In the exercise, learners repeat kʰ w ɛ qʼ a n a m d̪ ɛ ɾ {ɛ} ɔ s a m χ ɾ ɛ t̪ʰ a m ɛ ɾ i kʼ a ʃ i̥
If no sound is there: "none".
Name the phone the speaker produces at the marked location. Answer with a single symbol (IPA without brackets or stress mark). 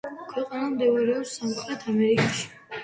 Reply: ɛ